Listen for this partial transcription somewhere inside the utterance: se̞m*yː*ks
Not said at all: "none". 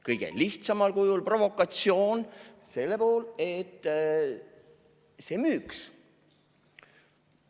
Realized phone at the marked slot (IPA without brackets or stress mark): yː